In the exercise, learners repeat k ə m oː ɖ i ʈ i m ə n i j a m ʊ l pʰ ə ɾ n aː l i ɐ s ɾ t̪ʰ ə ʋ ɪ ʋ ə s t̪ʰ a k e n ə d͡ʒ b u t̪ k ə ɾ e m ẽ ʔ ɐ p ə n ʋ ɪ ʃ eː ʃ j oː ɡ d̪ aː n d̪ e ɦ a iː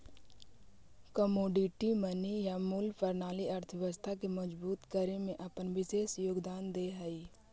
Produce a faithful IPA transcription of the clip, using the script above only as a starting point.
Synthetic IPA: k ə m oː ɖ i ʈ i m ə n i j a m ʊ l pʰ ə ɾ n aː l i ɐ ɾ t̪ʰ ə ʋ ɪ ʋ ə s t̪ʰ a k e m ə d͡ʒ b uː t̪ k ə ɾ e m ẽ ʔ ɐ p ə n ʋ ɪ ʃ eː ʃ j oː ɡ d̪ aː n d̪ e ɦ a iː